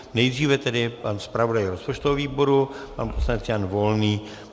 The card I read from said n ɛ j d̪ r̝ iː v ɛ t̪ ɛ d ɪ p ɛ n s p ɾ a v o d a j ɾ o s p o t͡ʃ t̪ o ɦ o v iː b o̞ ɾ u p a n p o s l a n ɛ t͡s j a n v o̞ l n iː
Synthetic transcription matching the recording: n ɛ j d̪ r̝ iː v ɛ t̪ ɛ d ɪ p a n s p ɾ a v o d a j ɾ o s p o t͡ʃ t̪ o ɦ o v iː b o̞ ɾ u p a n p o s l a n ɛ t͡s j a n v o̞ l n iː